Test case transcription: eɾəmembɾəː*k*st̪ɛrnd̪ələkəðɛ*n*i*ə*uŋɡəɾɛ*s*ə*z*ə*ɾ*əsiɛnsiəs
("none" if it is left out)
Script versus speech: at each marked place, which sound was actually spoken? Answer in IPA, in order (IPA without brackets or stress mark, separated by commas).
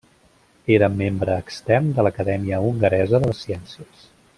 k, m, ə, z, ð, l